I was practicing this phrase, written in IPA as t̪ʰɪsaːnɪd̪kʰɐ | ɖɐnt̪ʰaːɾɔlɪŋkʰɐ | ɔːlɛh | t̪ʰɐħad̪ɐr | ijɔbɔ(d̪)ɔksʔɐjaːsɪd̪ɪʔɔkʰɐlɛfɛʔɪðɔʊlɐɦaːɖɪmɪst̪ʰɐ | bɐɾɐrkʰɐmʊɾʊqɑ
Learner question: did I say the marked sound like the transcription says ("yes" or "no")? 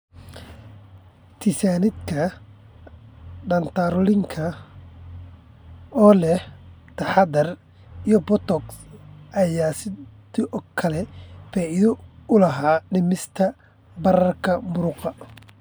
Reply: no